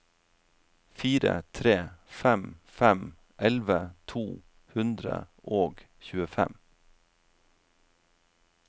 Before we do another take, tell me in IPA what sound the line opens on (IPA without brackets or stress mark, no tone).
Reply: f